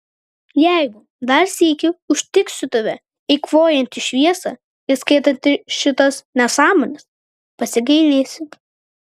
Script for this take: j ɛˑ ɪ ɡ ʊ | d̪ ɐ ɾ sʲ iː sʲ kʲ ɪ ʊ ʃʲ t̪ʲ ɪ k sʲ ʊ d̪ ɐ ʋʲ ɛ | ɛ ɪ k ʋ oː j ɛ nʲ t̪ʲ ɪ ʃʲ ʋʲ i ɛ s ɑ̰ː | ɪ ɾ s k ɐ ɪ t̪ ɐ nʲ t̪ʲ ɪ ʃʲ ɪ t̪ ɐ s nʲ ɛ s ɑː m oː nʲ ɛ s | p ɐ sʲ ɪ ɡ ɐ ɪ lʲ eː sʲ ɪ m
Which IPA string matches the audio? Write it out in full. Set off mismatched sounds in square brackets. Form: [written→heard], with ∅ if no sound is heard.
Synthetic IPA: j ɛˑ ɪ ɡ ʊ | d̪ ɐ ɾ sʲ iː [sʲ→∅] kʲ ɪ ʊ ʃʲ t̪ʲ ɪ k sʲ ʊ [d̪→t̪] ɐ ʋʲ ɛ | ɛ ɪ k ʋ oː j ɛ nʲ t̪ʲ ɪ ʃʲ ʋʲ i ɛ s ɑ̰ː | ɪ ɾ s k ɐ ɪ t̪ ɐ nʲ t̪ʲ ɪ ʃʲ ɪ t̪ ɐ s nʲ ɛ s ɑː m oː nʲ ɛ s | p ɐ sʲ ɪ ɡ ɐ ɪ lʲ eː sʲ ɪ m

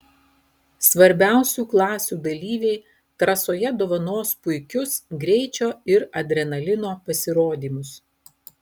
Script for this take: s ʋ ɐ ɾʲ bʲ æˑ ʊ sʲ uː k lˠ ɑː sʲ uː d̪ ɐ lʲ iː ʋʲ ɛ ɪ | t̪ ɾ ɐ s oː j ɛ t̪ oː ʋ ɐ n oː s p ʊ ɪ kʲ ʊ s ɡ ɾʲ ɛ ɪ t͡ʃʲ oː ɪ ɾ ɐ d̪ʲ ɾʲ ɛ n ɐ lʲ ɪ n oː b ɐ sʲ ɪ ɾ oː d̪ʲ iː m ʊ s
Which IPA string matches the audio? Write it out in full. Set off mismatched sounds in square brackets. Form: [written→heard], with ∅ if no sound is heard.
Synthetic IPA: s ʋ ɐ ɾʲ bʲ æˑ ʊ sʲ uː k lˠ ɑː sʲ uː d̪ ɐ lʲ iː ʋʲ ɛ ɪ | t̪ ɾ ɐ s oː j ɛ [t̪→d̪] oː ʋ ɐ n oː s p ʊ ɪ kʲ ʊ s ɡ ɾʲ ɛ ɪ t͡ʃʲ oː ɪ ɾ ɐ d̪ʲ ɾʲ ɛ n ɐ lʲ ɪ n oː [b→p] ɐ sʲ ɪ ɾ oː d̪ʲ iː m ʊ s

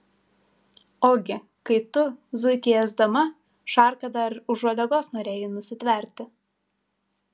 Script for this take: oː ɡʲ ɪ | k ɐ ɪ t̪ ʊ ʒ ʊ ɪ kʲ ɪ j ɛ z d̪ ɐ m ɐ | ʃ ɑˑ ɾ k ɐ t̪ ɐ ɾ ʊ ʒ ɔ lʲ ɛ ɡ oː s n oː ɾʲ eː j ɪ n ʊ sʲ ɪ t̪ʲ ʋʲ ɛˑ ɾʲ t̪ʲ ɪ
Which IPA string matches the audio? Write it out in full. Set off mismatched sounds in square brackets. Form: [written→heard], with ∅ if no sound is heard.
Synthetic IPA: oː ɡʲ ɪ | k ɐ ɪ t̪ ʊ [ʒ→z] ʊ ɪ kʲ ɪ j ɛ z d̪ ɐ m ɐ | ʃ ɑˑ ɾ k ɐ [t̪→d̪] ɐ ɾ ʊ ʒ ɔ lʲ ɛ ɡ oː s n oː ɾʲ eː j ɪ n ʊ sʲ ɪ t̪ʲ ʋʲ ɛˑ ɾʲ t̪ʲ ɪ

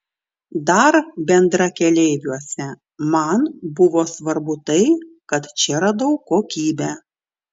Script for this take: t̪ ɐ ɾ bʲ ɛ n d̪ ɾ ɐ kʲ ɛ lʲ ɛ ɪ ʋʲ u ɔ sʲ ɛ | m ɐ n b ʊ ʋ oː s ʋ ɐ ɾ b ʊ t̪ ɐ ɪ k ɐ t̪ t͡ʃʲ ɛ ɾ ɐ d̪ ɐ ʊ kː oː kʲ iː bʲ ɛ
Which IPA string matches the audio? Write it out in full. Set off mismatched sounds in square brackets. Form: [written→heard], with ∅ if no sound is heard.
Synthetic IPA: [t̪→d̪] ɐ ɾ bʲ ɛ n d̪ ɾ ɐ kʲ ɛ lʲ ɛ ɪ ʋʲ u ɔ sʲ ɛ | m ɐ n b ʊ ʋ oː s ʋ ɐ ɾ b ʊ t̪ ɐ ɪ k ɐ t̪ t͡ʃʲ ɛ ɾ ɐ d̪ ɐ ʊ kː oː kʲ iː bʲ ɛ

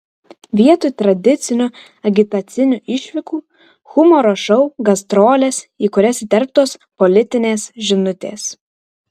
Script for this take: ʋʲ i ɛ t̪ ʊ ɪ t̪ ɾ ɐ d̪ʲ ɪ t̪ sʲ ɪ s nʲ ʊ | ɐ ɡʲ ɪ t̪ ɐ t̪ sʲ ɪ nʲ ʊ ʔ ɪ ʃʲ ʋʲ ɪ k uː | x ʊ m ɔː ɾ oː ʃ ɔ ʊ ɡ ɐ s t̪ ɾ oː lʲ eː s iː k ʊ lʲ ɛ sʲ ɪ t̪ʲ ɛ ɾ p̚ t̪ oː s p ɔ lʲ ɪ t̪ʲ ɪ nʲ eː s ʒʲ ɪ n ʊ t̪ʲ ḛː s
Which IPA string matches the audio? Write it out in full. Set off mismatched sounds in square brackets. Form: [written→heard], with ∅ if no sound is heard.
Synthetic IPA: ʋʲ i ɛ t̪ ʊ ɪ t̪ ɾ ɐ d̪ʲ ɪ t̪ sʲ ɪ [s→∅] nʲ ʊ | ɐ ɡʲ ɪ t̪ ɐ t̪ sʲ ɪ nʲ ʊ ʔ ɪ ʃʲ ʋʲ ɪ k uː | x ʊ m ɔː ɾ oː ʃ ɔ ʊ ɡ ɐ s t̪ ɾ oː lʲ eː s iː k ʊ [lʲ→ɾʲ] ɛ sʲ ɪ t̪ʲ ɛ ɾ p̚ t̪ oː s p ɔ lʲ ɪ t̪ʲ ɪ nʲ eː s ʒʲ ɪ n ʊ t̪ʲ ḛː s

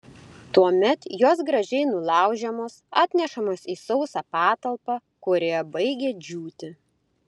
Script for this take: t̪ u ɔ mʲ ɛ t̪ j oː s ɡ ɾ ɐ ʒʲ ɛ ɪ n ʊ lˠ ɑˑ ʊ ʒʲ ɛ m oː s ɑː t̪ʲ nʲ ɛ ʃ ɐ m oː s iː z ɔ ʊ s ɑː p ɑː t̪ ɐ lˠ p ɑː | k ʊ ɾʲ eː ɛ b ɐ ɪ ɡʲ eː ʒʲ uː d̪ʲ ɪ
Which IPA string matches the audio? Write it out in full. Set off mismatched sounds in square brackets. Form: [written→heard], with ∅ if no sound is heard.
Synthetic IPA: t̪ u ɔ mʲ ɛ t̪ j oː s ɡ ɾ ɐ ʒʲ ɛ ɪ n ʊ lˠ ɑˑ ʊ ʒʲ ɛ m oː s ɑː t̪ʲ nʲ ɛ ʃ ɐ m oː s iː [z→s] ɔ ʊ s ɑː p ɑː t̪ ɐ lˠ p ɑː | k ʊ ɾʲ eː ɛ b ɐ ɪ ɡʲ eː [ʒʲ→d͡ʒʲ] uː [d̪ʲ→t̪ʲ] ɪ

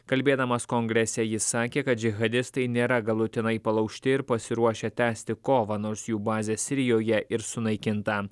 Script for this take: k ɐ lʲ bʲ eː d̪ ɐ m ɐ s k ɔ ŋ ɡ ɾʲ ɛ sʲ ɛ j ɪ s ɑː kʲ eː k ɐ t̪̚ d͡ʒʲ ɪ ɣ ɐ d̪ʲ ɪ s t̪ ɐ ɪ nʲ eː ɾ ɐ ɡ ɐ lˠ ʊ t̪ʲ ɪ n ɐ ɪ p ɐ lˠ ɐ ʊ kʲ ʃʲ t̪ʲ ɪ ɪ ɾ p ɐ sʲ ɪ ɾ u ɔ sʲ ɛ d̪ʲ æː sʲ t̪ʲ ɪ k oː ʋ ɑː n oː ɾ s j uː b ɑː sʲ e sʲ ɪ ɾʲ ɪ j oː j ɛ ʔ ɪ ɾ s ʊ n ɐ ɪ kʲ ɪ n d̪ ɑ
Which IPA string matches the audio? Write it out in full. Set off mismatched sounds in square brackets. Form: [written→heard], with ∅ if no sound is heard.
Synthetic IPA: k ɐ lʲ bʲ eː d̪ ɐ m ɐ s k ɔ ŋ ɡ ɾʲ ɛ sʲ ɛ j ɪ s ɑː kʲ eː k ɐ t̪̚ d͡ʒʲ ɪ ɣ ɐ d̪ʲ ɪ s t̪ ɐ ɪ nʲ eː ɾ ɐ ɡ ɐ lˠ ʊ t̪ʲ ɪ n ɐ ɪ p ɐ lˠ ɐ ʊ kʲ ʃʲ t̪ʲ ɪ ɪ ɾ p ɐ sʲ ɪ ɾ u ɔ [sʲ→ʃʲ] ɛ [d̪ʲ→t̪ʲ] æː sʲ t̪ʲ ɪ k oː ʋ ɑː n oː ɾ s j uː b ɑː [sʲ→zʲ] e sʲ ɪ ɾʲ ɪ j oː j ɛ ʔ ɪ ɾ s ʊ n ɐ ɪ kʲ ɪ n [d̪→t̪] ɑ

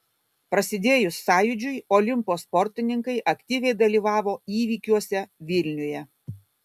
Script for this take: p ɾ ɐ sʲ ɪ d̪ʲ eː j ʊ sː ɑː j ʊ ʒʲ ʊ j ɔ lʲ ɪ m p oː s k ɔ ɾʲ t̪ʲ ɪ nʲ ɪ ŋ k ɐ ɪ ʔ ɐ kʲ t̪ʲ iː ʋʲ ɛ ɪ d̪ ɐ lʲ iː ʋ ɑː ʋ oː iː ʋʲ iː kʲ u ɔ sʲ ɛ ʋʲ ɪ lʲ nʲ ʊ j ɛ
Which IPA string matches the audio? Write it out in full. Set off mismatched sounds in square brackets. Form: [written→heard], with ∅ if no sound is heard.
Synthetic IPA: p ɾ ɐ sʲ ɪ d̪ʲ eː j ʊ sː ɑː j ʊ [ʒʲ→d͡ʒʲ] ʊ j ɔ lʲ ɪ m p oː s [k→p] ɔ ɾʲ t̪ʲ ɪ nʲ ɪ ŋ k ɐ ɪ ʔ ɐ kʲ t̪ʲ iː ʋʲ ɛ ɪ d̪ ɐ lʲ iː ʋ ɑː ʋ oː iː ʋʲ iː kʲ u ɔ sʲ ɛ ʋʲ ɪ lʲ nʲ ʊ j ɛ

